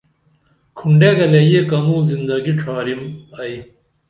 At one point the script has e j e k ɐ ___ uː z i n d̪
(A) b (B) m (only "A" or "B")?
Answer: B